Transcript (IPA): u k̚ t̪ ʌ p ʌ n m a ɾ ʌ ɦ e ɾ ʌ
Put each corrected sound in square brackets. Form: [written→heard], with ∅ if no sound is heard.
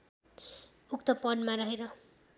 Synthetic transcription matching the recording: u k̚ t̪ ʌ p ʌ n m a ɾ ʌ ɦ e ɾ ʌ

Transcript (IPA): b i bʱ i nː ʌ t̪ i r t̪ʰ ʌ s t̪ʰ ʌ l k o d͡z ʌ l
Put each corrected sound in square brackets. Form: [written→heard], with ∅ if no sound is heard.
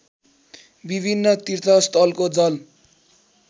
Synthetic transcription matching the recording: b i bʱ i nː ʌ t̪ i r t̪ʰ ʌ s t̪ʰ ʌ l k o d͡z ʌ l

